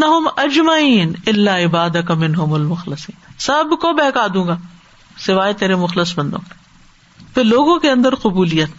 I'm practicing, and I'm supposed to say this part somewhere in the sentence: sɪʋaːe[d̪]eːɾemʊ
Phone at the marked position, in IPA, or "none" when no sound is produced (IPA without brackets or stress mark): t̪